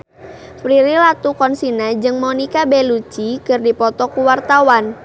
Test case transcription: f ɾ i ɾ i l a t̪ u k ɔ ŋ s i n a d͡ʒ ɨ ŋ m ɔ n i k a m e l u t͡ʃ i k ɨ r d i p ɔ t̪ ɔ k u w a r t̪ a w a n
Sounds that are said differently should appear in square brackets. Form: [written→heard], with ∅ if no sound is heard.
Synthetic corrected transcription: f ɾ i ɾ i l a t̪ u k ɔ [ŋ→n] s i n a d͡ʒ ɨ ŋ m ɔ n i k a [m→b] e l u t͡ʃ i k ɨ r d i p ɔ t̪ ɔ k u w a r t̪ a w a n